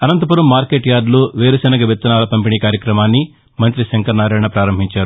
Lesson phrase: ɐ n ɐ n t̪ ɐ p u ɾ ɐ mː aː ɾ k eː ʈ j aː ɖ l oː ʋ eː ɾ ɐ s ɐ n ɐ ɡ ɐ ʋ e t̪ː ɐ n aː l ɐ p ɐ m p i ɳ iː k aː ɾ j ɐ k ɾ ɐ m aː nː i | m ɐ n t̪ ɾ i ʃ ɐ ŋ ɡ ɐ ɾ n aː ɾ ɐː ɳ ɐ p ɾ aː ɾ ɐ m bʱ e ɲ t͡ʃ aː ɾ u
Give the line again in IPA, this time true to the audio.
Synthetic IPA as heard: ɐ n ɐ n t̪ ɐ p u ɾ ɐ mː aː ɾ k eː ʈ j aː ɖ l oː ʋ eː ɾ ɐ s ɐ n ɐ ɡ ɐ ʋ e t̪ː ɐ n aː l ɐ p ɐ m p i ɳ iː k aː ɾ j ɐ k ɾ ɐ m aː nː i | m ɐ n t̪ ɾ i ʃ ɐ ŋ k ɐ ɾ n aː ɾ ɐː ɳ ɐ p ɾ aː ɾ ɐ m bʱ i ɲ t͡ʃ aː ɾ u